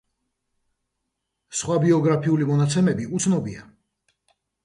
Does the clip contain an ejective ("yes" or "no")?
no